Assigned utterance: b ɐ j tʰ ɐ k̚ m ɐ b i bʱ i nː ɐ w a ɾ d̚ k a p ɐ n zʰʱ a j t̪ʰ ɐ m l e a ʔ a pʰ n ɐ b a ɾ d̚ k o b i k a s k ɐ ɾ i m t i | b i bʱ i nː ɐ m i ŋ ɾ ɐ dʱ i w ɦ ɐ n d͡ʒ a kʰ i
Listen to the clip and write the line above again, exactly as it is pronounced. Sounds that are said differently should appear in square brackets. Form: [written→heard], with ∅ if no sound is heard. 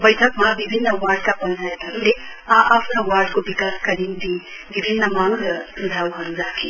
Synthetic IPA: b ɐ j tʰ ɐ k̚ m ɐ b i bʱ i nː ɐ w a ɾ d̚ k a p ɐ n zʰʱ a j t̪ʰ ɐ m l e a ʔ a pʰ n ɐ [b→w] a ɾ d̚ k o b i k a s k ɐ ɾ i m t i | b i bʱ i nː ɐ m [i→a] ŋ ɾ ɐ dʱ [i→a] w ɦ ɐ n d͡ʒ a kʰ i